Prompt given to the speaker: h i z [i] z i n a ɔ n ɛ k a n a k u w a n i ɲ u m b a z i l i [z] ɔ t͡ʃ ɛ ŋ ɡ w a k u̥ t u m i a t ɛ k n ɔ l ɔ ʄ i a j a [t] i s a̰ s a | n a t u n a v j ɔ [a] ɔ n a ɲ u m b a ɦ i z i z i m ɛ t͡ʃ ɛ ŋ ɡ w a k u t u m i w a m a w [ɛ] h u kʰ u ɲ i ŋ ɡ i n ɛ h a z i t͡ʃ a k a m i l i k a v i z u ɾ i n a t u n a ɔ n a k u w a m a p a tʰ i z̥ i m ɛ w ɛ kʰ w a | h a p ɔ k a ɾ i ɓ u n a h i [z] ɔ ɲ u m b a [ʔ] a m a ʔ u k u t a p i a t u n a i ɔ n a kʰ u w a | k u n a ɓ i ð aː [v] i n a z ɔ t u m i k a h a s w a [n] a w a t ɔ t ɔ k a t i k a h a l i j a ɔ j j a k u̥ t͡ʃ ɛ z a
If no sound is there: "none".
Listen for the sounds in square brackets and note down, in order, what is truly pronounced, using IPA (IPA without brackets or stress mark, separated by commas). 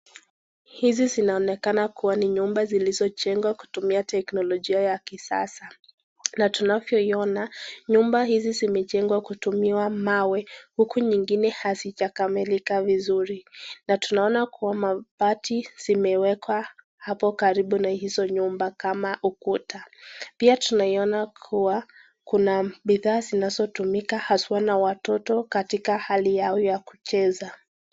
i, z, k, i, ɛ, z, k, z, n